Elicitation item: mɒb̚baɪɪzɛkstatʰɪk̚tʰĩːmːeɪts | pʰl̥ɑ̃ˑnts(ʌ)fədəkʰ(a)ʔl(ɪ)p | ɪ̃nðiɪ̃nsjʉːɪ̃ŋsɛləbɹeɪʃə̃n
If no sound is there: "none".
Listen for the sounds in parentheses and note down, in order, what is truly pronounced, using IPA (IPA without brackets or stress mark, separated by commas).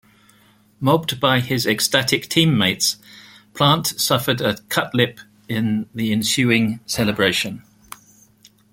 ʌ, ʌ, ɪ